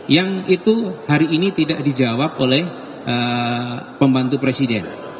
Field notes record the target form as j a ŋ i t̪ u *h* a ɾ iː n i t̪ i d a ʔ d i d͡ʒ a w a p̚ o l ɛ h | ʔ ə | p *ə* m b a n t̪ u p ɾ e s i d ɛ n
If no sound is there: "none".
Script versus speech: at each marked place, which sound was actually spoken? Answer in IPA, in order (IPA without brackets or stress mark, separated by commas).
h, ə